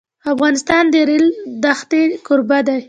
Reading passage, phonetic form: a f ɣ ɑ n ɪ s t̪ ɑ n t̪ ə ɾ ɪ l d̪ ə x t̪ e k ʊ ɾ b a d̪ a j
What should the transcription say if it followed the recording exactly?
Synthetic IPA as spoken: a f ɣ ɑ n ɪ s t̪ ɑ n d̪ ə ɾ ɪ l d̪ a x t̪ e k ʊ ɾ b a d̪ a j